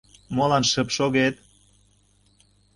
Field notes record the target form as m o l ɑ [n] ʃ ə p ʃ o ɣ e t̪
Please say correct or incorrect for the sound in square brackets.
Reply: correct